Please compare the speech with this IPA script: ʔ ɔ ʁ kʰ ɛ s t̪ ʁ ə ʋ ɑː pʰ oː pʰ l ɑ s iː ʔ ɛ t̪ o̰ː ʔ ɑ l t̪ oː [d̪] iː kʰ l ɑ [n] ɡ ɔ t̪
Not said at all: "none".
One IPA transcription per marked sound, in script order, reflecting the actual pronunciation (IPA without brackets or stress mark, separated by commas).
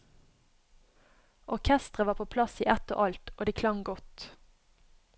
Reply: d̪, ŋ